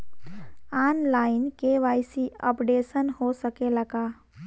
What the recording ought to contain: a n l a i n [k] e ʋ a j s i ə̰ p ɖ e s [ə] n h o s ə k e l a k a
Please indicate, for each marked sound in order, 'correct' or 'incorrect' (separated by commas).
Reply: correct, correct